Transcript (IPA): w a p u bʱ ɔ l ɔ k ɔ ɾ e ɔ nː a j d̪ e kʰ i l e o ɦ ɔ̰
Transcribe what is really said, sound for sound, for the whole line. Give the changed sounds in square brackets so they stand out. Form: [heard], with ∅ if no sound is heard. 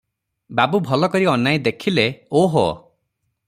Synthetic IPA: [b] a [b] u bʱ ɔ l ɔ k ɔ ɾ [i] ɔ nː a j d̪ e kʰ i l e o ɦ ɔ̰